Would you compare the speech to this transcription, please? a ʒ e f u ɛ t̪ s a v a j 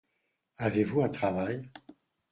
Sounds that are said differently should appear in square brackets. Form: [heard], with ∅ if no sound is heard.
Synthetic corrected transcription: a [v] e [v] u [ɛ̃] t̪ [χ] a v a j